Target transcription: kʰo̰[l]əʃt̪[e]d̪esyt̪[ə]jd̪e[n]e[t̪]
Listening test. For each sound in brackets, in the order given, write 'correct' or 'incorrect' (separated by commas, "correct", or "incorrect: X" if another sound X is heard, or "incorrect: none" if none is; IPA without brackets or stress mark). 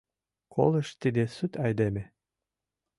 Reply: correct, incorrect: i, incorrect: ɑ, incorrect: m, incorrect: none